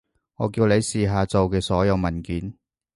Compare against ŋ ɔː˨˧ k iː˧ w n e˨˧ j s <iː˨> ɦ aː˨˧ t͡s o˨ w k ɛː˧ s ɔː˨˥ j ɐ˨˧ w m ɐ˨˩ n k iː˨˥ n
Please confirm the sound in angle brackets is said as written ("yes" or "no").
yes